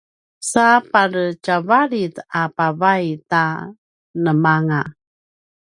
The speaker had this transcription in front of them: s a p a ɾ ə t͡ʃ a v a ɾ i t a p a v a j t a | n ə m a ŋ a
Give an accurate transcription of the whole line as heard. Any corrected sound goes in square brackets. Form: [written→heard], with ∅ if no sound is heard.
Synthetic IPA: s a p a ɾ ə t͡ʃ a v a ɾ i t a p a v a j t a | n ə m a ŋ a